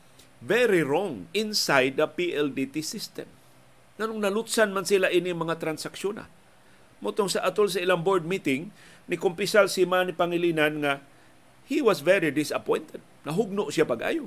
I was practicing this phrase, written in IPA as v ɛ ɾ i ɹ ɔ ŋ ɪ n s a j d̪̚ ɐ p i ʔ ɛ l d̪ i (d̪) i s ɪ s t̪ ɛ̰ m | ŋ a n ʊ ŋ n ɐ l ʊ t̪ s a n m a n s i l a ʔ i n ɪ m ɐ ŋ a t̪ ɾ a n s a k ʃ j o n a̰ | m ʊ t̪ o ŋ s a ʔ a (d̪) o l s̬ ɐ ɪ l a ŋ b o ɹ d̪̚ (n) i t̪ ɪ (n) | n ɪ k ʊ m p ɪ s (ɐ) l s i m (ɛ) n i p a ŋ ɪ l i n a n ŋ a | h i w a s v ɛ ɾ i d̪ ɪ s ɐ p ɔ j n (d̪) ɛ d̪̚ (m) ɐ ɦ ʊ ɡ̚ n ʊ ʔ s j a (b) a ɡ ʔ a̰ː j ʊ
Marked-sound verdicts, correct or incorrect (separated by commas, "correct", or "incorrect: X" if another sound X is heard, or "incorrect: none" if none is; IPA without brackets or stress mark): incorrect: t̪, incorrect: t̪, incorrect: m, incorrect: ŋ, incorrect: a, incorrect: a, incorrect: t̪, incorrect: n, incorrect: p